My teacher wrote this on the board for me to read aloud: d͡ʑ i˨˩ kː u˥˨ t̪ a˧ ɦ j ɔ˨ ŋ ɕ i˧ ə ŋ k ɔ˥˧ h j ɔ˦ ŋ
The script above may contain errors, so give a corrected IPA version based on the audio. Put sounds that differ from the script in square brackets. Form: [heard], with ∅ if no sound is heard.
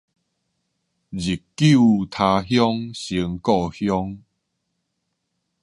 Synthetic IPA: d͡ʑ i˨˩ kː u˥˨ [t̪ʰ] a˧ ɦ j [ɔ˦] ŋ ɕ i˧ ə ŋ k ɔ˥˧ h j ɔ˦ ŋ